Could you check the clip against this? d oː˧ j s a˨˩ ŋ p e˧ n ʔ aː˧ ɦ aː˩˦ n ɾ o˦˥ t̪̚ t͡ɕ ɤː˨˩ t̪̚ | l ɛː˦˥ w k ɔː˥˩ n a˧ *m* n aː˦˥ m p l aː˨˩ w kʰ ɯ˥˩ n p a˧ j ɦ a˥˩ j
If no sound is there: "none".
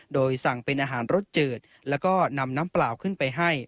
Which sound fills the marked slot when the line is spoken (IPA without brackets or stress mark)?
m